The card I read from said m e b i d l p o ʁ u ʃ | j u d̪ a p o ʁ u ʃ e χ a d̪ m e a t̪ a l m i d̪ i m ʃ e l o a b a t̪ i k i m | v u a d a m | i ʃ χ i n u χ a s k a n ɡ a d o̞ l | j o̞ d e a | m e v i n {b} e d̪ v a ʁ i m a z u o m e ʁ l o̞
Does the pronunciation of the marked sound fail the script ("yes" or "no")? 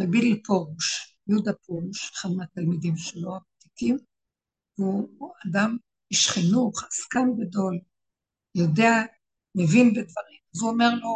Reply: no